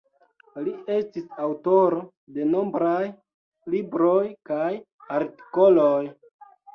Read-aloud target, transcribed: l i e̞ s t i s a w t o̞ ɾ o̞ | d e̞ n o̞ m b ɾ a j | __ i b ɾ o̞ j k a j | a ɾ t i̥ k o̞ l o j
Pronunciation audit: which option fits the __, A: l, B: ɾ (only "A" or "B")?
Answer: A